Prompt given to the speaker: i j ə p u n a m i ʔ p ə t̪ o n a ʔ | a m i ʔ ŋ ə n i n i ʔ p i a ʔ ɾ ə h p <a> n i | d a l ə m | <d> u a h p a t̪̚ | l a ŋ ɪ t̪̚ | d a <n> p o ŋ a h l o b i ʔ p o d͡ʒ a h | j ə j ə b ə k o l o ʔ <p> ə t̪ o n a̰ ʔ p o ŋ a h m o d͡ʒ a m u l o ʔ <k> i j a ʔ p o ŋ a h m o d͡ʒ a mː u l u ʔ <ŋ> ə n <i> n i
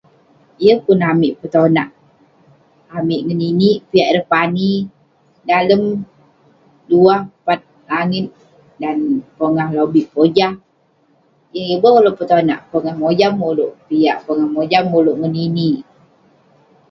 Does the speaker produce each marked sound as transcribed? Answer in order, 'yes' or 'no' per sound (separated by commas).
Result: yes, yes, yes, yes, no, yes, yes